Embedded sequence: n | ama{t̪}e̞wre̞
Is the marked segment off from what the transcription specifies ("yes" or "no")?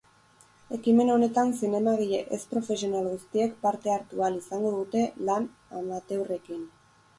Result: no